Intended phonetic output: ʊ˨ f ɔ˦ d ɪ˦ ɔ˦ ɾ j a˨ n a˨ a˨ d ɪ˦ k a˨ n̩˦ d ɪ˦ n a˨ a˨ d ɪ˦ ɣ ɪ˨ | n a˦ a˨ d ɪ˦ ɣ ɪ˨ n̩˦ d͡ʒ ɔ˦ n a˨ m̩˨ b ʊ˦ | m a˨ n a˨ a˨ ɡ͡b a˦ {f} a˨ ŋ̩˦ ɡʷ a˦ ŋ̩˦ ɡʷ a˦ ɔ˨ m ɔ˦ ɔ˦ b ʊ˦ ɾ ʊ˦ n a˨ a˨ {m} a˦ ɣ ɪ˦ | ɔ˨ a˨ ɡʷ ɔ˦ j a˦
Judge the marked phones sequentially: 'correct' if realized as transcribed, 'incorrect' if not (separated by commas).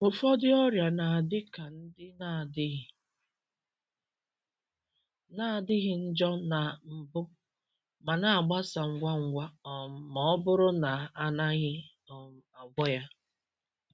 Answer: incorrect, incorrect